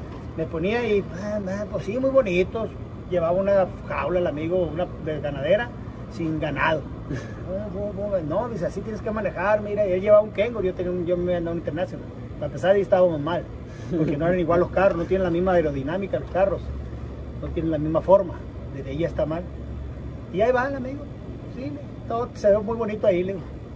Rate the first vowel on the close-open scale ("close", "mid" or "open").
mid